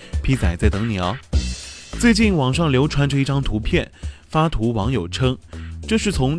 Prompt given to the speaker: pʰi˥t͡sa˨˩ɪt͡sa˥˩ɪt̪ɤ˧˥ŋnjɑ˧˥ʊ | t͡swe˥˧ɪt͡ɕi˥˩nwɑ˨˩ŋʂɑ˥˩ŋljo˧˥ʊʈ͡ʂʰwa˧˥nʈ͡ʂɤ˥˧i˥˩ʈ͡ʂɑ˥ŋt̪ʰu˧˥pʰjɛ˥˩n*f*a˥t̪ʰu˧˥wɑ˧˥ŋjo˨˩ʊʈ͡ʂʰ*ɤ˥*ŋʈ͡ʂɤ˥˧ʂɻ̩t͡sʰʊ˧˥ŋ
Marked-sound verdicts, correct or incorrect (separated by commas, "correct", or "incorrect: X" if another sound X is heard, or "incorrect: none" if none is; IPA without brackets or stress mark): correct, correct